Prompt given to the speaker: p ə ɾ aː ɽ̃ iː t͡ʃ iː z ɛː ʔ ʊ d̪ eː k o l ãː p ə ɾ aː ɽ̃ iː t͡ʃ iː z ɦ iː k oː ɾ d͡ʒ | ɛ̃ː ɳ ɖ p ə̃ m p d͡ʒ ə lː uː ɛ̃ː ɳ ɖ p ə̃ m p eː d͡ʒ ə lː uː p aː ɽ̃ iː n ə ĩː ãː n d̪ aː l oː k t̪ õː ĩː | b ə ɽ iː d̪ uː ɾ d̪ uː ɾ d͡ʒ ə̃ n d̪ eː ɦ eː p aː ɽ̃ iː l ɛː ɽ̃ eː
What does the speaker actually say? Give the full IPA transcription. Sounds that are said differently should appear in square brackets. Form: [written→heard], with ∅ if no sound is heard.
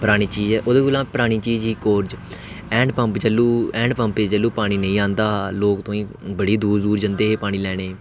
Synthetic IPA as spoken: p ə ɾ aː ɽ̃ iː t͡ʃ iː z ɛː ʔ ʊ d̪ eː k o l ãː p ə ɾ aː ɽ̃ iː t͡ʃ iː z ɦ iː k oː ɾ d͡ʒ | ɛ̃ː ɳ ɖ p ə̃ m p d͡ʒ ə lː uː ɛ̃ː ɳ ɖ p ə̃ m p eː d͡ʒ ə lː uː p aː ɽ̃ iː n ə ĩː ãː n d̪ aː l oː k t̪ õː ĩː | b ə ɽ iː d̪ uː ɾ d̪ uː ɾ d͡ʒ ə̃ n d̪ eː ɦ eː p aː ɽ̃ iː l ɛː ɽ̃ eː